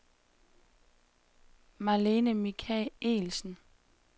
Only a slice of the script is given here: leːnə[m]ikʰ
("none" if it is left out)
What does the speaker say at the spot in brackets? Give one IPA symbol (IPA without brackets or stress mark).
m